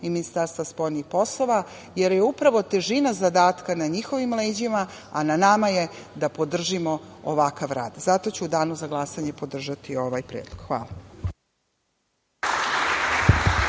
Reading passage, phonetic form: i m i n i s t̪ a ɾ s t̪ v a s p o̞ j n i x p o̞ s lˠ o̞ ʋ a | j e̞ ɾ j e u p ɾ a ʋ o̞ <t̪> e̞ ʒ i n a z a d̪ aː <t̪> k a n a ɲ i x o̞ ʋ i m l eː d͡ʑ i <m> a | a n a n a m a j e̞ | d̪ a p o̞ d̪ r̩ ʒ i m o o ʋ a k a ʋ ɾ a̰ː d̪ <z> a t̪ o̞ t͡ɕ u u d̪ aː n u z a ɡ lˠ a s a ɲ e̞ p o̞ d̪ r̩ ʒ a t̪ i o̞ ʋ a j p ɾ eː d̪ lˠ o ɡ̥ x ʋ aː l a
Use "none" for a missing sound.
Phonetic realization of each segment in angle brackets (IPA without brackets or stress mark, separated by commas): t̪, t̪, m, z